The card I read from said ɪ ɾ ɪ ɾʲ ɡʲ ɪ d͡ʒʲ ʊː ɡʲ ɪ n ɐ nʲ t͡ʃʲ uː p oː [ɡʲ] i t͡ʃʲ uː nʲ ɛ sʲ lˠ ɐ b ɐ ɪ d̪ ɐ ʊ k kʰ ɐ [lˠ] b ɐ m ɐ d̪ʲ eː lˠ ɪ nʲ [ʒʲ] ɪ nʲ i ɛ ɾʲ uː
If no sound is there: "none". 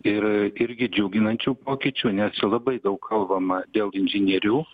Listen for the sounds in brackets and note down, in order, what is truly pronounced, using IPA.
kʲ, lˠ, ʒʲ

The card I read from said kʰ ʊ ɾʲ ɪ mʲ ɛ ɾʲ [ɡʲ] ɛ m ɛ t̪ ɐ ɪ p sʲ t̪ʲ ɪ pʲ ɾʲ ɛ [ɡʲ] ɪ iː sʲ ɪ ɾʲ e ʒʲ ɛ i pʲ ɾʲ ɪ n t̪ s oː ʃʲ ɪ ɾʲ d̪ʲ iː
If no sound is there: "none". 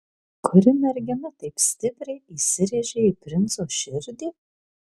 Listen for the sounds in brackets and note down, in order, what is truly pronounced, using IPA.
ɡʲ, none

